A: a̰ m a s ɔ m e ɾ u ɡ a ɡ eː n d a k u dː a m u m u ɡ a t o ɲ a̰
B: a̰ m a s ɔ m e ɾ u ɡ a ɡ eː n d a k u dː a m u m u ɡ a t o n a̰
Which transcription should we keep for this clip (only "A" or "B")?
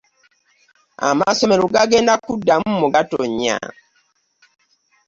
A